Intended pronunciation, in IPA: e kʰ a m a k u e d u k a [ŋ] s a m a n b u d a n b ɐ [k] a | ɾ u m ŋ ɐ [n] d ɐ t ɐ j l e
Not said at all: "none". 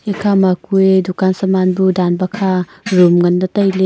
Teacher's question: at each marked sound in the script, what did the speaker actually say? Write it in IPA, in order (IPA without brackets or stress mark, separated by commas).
n, kʰ, n